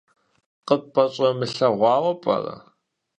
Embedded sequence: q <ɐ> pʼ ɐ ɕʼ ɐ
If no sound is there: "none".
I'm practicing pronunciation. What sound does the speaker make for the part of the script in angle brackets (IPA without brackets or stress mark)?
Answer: ə